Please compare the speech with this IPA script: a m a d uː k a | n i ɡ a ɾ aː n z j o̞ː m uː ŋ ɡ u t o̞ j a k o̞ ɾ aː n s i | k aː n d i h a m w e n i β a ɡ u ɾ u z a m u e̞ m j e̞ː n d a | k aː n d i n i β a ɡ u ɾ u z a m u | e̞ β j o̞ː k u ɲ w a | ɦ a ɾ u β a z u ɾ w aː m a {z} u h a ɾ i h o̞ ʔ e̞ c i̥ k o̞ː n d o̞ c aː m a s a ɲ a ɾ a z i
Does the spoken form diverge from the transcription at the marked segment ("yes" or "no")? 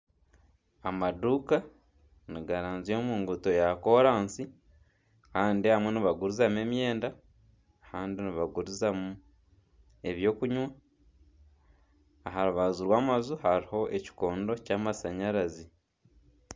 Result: no